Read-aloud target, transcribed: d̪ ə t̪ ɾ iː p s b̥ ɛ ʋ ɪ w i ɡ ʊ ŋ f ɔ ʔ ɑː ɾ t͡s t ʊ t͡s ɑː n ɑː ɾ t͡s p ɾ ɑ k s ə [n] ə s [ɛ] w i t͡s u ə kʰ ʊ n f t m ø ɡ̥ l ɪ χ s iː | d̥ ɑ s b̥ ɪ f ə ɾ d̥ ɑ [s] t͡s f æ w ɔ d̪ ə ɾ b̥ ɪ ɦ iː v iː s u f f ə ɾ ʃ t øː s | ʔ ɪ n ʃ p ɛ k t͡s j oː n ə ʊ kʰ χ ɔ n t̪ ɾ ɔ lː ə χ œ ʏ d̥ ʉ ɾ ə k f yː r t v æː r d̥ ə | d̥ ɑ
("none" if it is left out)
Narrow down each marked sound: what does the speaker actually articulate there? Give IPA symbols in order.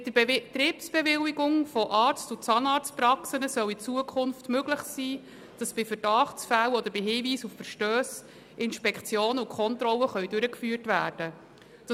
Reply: n, œ, χ

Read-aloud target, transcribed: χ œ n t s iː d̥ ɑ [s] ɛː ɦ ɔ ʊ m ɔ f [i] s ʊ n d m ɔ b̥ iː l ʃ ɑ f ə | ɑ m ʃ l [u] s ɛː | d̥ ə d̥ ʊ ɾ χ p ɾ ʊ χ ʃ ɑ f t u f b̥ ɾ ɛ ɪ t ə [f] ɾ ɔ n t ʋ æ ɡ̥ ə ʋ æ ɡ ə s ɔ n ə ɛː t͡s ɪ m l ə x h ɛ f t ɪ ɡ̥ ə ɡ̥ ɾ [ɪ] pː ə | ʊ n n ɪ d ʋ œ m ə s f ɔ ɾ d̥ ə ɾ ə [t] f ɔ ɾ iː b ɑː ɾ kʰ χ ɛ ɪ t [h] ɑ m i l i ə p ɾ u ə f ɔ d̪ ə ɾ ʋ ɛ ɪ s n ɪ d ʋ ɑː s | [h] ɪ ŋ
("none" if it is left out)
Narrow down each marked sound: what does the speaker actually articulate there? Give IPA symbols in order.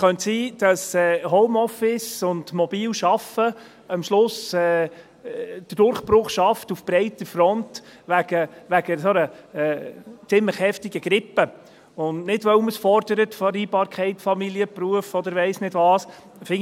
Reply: s, ɪ, ʊ, f, ɪ, t, f, f

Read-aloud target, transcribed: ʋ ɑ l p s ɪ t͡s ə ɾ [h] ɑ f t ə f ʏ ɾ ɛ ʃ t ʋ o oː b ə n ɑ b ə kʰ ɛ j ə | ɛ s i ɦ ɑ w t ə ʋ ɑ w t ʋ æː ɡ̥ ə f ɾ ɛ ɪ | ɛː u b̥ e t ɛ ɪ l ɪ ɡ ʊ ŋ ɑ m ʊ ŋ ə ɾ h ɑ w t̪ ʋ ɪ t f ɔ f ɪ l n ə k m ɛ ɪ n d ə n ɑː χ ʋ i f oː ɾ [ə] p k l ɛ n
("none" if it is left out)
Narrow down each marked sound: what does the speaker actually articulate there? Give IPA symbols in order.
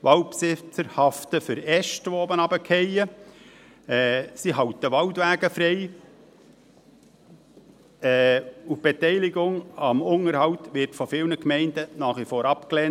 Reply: h, ɑ

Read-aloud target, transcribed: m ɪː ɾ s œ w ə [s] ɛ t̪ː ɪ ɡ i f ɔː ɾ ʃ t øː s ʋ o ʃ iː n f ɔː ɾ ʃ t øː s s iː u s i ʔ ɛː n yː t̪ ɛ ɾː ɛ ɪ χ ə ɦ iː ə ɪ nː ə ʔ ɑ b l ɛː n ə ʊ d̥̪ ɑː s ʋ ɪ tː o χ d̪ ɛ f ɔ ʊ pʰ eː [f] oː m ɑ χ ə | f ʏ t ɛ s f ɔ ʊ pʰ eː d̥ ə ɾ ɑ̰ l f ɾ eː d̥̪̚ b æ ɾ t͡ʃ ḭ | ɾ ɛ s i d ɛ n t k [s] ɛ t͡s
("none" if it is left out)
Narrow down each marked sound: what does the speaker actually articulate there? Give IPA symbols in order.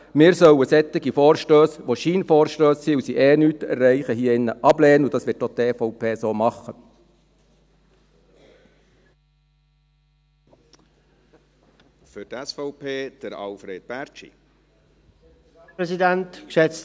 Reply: s, s, ʃ

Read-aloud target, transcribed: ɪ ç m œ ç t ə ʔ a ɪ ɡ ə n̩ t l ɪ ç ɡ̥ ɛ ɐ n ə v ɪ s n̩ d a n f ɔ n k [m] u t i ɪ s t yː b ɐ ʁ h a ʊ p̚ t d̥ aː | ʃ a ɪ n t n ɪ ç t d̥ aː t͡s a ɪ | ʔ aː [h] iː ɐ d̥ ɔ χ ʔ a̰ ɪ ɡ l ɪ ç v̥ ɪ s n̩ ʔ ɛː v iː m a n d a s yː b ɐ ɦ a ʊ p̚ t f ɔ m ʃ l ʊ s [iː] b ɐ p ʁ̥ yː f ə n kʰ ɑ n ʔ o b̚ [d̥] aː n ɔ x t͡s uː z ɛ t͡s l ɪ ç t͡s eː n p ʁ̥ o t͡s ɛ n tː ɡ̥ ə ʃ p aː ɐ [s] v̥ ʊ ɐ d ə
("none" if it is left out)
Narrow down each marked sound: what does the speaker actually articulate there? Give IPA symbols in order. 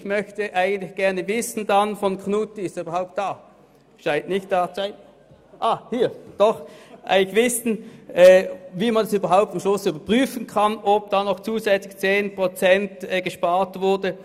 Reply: n, h, yː, d̥, t

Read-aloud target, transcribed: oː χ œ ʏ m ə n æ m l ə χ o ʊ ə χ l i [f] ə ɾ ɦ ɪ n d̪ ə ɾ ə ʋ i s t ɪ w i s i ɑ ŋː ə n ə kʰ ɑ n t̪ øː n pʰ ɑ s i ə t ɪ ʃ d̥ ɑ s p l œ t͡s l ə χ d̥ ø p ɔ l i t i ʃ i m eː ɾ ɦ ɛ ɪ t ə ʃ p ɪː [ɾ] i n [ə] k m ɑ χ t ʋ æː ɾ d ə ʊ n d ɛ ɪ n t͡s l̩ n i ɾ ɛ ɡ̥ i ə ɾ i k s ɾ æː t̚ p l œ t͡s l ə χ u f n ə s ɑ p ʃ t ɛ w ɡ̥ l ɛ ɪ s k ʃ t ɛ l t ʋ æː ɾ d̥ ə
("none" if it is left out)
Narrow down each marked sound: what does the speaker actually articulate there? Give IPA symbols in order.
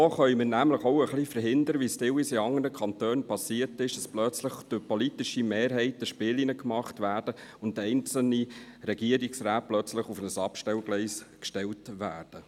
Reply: f, l, ə

